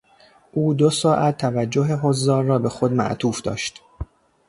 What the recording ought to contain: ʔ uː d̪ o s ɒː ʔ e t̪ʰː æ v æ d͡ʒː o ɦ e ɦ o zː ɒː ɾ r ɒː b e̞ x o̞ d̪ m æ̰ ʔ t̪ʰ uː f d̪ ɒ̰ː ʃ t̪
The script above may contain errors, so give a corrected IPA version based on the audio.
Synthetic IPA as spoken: ʔ uː d̪ o s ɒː ʔ æ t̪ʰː æ v æ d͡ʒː o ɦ e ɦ o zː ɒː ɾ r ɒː b e̞ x o̞ d̪ m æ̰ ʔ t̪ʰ uː f d̪ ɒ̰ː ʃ t̪